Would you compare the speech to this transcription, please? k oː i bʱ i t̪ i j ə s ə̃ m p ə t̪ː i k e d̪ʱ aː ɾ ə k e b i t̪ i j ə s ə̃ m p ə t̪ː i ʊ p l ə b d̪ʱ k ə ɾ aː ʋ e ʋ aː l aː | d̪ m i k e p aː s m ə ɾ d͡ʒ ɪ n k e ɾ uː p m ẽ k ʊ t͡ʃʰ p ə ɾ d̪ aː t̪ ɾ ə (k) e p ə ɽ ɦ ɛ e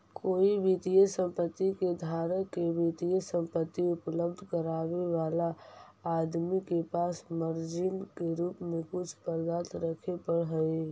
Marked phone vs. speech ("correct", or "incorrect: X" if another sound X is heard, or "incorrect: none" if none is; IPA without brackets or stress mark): incorrect: kʰ